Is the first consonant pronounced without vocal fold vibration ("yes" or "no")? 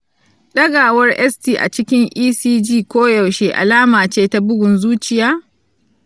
no